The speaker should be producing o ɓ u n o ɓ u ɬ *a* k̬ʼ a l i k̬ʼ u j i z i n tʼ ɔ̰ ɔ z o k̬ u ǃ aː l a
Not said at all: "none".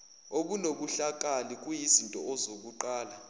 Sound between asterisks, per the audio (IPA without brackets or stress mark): a